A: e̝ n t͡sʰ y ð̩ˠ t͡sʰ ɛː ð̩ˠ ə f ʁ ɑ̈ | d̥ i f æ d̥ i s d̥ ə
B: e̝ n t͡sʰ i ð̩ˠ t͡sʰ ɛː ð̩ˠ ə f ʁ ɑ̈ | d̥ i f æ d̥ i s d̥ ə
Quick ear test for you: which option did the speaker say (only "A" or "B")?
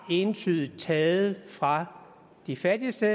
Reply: A